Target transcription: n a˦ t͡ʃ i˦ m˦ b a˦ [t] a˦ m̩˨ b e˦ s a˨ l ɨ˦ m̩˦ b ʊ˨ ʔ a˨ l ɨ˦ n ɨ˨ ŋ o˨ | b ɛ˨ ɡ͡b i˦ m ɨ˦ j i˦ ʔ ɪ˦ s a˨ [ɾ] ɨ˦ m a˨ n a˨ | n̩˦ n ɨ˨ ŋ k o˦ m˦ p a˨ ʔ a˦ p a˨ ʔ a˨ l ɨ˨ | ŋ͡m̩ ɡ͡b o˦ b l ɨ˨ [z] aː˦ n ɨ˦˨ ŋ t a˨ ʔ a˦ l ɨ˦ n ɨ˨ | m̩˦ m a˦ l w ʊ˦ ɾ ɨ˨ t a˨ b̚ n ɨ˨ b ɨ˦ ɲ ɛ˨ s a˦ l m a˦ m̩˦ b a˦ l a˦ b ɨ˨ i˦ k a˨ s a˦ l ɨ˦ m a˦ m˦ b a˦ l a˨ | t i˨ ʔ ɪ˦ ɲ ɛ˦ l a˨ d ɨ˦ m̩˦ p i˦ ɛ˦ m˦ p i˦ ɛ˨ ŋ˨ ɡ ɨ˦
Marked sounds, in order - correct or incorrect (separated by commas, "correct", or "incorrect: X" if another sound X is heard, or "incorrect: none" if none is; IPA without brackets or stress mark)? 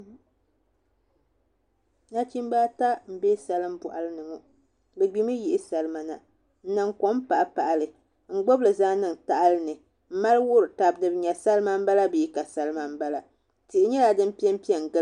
correct, incorrect: l, correct